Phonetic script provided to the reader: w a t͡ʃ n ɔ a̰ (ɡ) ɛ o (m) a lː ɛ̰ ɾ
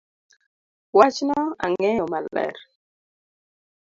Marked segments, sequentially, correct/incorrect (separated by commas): incorrect, correct